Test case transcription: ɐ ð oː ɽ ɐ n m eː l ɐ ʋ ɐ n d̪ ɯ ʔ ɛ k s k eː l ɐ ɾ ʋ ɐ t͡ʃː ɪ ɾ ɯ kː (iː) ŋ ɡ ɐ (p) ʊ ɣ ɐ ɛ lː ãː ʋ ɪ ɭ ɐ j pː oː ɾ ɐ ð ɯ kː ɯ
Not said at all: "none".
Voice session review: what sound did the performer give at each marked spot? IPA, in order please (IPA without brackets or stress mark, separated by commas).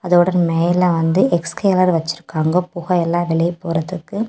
aː, p